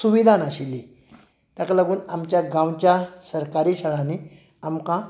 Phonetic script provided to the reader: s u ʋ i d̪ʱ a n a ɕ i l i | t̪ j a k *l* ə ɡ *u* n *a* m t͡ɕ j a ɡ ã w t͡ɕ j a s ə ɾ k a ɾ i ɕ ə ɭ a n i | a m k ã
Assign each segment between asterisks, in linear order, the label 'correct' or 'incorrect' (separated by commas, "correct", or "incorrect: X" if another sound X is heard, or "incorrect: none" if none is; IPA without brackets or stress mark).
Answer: correct, incorrect: uː, correct